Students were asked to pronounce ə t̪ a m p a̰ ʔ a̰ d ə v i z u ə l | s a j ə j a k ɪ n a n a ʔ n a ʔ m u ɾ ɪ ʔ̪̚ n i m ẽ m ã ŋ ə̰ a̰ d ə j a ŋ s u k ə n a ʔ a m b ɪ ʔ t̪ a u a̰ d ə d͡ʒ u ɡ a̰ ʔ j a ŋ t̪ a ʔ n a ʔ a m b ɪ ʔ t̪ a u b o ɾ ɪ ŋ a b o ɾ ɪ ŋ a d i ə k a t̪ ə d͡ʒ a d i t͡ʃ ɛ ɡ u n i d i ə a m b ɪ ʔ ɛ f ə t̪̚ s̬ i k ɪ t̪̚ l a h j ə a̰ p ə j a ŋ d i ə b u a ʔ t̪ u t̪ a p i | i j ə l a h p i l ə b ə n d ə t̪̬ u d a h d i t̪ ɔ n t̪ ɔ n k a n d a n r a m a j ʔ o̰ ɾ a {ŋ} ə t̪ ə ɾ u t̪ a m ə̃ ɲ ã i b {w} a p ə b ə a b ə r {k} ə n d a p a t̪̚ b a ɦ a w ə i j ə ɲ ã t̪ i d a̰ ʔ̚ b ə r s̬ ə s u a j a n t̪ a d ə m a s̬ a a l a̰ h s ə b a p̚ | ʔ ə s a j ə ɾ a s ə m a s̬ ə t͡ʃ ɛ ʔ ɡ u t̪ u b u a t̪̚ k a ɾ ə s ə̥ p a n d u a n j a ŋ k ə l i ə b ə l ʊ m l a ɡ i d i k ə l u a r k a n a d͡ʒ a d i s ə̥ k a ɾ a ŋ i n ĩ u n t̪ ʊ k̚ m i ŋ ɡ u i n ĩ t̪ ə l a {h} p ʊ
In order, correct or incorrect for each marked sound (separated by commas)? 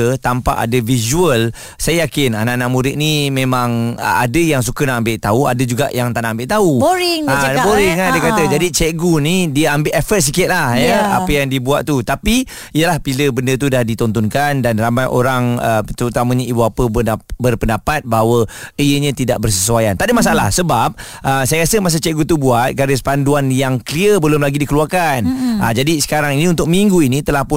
correct, incorrect, incorrect, correct